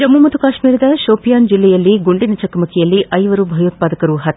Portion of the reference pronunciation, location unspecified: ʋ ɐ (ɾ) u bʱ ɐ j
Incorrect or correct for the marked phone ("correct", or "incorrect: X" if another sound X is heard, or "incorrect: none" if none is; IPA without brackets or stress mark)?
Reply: correct